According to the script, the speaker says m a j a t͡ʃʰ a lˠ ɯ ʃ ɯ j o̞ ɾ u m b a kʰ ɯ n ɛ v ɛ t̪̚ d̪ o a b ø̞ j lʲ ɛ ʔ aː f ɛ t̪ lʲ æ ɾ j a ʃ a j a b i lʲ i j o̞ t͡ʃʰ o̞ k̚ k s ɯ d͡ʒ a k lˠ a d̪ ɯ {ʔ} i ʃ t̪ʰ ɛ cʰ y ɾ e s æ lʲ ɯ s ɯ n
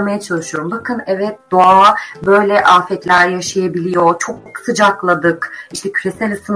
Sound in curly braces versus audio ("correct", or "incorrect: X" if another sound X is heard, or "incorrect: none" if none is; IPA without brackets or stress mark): incorrect: k